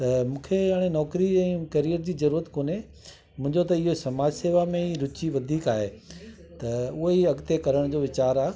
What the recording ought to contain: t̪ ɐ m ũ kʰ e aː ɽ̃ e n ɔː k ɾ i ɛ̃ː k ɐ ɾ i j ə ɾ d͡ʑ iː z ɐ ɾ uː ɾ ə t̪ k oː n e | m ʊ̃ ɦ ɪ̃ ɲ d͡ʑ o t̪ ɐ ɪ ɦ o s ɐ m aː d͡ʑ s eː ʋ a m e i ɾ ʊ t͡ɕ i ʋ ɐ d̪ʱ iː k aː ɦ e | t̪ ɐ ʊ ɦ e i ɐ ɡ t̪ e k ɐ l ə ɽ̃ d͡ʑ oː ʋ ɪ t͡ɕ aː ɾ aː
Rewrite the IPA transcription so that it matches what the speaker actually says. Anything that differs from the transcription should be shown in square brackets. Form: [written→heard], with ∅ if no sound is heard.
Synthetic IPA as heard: t̪ ɐ m [ũ→ũː] kʰ e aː ɽ̃ e n ɔː k ɾ i ɛ̃ː k ɐ ɾ i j ə ɾ d͡ʑ iː z ɐ ɾ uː ɾ ə t̪ k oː n e | m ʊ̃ ɦ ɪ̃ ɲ d͡ʑ o t̪ ɐ ɪ ɦ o s ɐ m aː d͡ʑ s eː ʋ a m [e→ẽ] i ɾ ʊ t͡ɕ i ʋ ɐ d̪ʱ iː k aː ɦ e | t̪ ɐ ʊ ɦ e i ɐ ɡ t̪ e k ɐ [l→ɾ] ə ɽ̃ d͡ʑ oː ʋ ɪ t͡ɕ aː ɾ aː

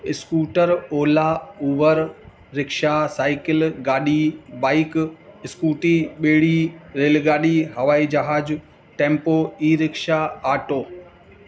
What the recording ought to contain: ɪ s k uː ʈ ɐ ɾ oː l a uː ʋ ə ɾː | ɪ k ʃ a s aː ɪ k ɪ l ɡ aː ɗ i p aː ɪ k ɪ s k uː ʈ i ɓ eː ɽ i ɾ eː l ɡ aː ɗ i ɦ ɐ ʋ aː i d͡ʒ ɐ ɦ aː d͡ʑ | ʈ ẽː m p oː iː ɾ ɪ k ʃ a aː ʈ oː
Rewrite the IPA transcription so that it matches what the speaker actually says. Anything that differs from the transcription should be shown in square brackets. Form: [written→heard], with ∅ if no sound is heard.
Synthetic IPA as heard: ɪ s k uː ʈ [ɐ→ə] ɾ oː l a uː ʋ ə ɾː | ɪ k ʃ a s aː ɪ k ɪ l ɡ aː ɗ i [p→b] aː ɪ k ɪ s k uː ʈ i ɓ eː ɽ i ɾ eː l ɡ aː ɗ i ɦ ɐ ʋ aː i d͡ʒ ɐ ɦ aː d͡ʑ | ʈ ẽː m p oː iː ɾ ɪ k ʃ a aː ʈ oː

